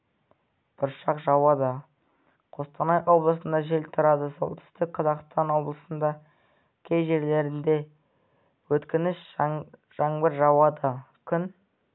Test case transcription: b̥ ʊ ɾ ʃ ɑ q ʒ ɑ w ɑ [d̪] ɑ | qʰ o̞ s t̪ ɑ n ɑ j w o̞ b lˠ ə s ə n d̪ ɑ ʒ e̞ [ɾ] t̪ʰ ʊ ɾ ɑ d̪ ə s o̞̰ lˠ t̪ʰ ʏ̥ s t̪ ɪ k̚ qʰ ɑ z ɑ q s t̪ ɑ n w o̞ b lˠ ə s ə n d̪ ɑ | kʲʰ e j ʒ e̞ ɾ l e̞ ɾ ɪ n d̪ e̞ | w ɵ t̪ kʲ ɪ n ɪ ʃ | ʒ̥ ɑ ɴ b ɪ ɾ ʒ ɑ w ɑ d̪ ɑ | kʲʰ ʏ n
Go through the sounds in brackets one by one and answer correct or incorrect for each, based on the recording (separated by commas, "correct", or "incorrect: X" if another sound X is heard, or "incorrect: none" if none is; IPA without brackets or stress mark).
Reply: correct, incorrect: l